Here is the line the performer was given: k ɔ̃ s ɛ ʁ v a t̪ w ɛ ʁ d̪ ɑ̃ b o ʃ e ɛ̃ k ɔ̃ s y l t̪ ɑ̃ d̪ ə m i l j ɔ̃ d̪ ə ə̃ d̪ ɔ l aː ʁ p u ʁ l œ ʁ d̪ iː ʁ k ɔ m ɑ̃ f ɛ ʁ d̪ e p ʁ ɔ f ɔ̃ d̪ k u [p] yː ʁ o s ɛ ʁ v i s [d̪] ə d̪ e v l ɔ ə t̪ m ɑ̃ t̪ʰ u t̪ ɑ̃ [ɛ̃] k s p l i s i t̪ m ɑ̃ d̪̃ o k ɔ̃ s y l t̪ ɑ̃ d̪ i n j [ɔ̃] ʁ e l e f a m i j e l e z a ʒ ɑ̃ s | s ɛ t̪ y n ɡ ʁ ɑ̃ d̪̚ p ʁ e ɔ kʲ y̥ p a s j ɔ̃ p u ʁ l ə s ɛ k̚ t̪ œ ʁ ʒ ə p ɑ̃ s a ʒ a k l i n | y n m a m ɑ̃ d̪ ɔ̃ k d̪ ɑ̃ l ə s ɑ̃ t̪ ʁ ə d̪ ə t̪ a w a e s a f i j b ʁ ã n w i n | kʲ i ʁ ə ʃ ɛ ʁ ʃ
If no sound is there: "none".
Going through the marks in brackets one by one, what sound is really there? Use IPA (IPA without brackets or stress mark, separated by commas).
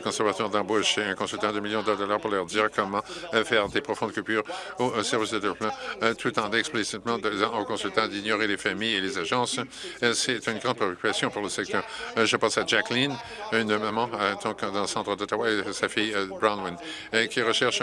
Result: p, d̪, ɛ, ɔ